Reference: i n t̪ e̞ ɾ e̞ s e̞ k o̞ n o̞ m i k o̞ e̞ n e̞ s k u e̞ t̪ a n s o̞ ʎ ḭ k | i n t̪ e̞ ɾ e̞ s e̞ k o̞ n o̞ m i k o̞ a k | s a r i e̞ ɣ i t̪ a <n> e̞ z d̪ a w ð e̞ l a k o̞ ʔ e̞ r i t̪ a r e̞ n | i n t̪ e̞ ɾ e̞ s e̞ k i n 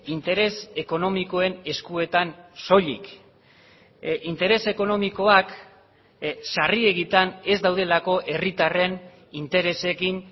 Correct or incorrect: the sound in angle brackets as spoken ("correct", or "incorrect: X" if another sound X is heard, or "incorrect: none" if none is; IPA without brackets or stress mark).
correct